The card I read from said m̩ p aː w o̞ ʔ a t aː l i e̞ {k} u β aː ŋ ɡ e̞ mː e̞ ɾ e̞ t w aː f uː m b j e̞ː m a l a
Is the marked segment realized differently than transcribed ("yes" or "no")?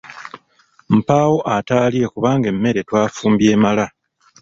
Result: no